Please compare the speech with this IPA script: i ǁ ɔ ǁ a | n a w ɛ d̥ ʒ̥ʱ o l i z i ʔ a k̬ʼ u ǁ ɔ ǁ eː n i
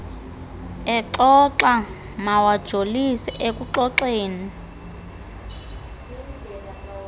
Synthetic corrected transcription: ɛ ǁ ɔ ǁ a | m a w a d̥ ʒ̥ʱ o l i s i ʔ e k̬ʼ u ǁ ɔ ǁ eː n i